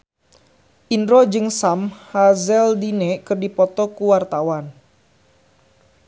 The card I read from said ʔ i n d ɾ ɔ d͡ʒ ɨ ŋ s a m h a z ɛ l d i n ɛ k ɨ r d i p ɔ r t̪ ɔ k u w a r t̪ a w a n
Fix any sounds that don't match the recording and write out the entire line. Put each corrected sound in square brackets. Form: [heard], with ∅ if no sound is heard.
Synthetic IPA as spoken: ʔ i n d ɾ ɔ d͡ʒ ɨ ŋ s a m h a z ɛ l d i n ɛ k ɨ r d i p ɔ [∅] t̪ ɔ k u w a r t̪ a w a n